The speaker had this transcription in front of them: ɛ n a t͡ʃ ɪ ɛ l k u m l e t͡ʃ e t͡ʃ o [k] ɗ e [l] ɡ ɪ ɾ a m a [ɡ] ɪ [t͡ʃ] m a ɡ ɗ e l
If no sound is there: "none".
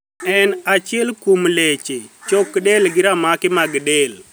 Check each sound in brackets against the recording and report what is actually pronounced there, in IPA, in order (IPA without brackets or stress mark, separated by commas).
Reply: k, l, k, none